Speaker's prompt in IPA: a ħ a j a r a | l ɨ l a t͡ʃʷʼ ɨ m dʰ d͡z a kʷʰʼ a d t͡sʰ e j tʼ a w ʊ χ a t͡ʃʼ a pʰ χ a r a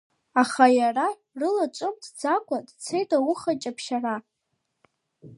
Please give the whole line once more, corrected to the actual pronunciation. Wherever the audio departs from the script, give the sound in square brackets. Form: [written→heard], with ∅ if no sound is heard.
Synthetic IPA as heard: a [ħ→χ] a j a r a | [l→r] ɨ l a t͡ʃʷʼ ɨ m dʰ d͡z a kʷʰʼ a d t͡sʰ e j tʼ a w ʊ χ a t͡ʃʼ a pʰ [χ→ʃ] a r a

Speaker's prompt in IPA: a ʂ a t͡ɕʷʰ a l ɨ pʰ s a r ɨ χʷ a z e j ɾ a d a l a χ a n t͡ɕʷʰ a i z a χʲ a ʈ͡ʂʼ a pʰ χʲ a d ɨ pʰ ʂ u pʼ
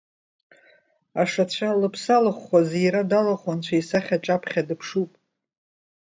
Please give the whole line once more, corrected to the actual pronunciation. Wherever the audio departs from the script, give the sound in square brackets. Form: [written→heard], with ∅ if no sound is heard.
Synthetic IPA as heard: a ʂ a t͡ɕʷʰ a l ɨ pʰ s a [r→l] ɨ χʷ a z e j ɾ a d a l a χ a n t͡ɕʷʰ a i [z→s] a χʲ a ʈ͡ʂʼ a pʰ χʲ a d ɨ pʰ ʂ u pʼ

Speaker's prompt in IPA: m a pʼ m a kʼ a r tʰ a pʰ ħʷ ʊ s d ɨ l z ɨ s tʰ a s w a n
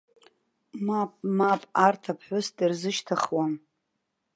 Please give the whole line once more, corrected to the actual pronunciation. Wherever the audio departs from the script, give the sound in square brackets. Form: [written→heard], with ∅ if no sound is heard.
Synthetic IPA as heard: m a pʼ m a [kʼ→pʼ] a r tʰ a pʰ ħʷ ʊ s d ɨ [l→r] z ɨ [s→ʃ] tʰ a [s→χ] w a n

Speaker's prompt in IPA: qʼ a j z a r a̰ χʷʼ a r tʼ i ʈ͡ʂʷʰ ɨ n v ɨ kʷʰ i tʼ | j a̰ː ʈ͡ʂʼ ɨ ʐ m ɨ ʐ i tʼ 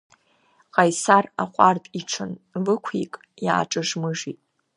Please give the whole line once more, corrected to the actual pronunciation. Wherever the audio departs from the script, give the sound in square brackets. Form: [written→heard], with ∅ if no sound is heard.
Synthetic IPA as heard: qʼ a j [z→s] a r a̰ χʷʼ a r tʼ i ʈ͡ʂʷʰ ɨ n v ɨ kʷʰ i [tʼ→kʼ] | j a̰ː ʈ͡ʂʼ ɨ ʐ m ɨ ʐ i tʼ

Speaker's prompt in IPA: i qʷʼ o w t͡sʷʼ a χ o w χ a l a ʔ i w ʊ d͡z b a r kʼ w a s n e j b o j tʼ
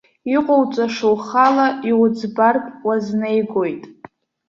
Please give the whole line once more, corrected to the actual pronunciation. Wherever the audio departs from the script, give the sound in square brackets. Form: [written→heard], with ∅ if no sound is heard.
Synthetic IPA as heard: i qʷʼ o w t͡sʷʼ a [χ→ʂ] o w χ a l a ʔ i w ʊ d͡z b a r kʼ w a [s→z] n e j [b→ɡ] o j tʼ

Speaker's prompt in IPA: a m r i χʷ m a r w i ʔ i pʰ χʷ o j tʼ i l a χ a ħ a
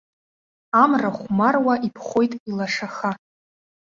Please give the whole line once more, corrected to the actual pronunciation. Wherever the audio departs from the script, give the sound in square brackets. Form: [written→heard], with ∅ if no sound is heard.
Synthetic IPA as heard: a m r [i→a] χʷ m a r w [i→a] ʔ i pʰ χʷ o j tʼ i l a [χ→ʂ] a [ħ→χ] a

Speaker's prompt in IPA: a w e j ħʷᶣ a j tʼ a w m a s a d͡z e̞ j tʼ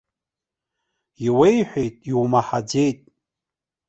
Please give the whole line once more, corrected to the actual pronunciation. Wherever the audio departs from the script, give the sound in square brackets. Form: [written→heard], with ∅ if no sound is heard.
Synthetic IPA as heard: [a→i] w e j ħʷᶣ [a→e] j tʼ [a→i] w m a [s→ħ] a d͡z e̞ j tʼ

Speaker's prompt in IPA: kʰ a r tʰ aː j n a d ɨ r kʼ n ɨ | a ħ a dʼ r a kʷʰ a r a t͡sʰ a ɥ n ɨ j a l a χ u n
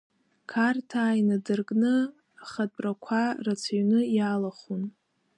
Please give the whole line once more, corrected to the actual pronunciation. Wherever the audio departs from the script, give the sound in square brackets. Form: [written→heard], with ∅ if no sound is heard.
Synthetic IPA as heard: kʰ a r tʰ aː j n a d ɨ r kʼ n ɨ | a [ħ→χ] a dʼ r a kʷʰ a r a t͡sʰ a ɥ n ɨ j a l a χ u n

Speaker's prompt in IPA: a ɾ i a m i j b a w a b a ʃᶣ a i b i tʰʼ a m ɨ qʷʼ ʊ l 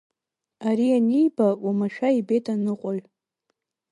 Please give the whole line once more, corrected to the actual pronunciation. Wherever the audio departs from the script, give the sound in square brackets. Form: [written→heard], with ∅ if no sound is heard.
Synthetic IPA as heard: a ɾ i a [m→n] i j b a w a [b→m] a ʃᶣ a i b [i→e] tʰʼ a [m→n] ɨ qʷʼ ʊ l

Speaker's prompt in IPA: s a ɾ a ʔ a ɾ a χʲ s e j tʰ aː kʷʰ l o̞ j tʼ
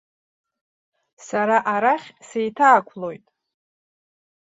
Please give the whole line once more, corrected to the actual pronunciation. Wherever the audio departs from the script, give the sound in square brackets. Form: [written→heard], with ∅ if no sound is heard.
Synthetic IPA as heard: s a ɾ a ʔ a ɾ a χʲ s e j tʰ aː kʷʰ l o̞ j tʼ

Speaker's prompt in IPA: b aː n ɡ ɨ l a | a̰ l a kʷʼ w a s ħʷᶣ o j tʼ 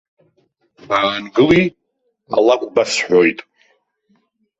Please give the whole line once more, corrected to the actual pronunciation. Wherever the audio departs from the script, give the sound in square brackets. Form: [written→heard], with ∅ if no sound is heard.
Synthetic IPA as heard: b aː n ɡ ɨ l [a→i] | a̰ l a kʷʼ [w→b] a s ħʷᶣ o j tʼ

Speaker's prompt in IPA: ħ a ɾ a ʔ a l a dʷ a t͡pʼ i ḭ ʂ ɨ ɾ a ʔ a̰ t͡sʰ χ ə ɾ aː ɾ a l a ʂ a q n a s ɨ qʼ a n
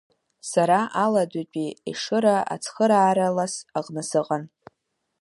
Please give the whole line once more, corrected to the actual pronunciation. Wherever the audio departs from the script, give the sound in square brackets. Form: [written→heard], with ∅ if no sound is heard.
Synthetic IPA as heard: [ħ→s] a ɾ a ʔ a l a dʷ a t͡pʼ i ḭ ʂ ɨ ɾ a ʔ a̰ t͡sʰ χ ə ɾ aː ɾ a l a [ʂ→s] a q n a s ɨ qʼ a n

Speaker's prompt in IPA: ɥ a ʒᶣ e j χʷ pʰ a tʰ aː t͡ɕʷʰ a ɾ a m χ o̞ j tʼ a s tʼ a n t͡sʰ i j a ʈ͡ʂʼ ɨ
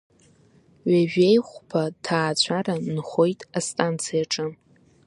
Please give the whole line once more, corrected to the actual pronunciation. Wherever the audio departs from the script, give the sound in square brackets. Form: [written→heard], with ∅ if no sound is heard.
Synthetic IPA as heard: ɥ a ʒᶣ e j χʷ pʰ a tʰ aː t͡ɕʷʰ a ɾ a [m→n] χ o̞ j tʼ a s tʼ a n t͡sʰ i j a ʈ͡ʂʼ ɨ

